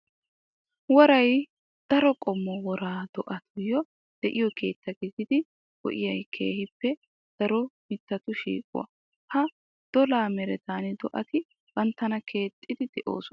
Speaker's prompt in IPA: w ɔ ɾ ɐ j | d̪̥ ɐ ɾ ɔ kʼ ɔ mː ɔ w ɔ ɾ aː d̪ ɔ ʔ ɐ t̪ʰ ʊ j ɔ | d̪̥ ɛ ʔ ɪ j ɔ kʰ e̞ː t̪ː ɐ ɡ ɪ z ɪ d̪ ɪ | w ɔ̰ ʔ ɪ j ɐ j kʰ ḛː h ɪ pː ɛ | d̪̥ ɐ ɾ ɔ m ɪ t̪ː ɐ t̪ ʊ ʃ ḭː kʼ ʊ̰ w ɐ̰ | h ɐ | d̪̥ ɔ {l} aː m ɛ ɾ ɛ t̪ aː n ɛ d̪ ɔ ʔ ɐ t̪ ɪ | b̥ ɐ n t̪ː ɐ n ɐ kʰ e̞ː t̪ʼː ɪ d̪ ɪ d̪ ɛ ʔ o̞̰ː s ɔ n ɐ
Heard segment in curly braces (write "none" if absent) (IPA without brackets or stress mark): l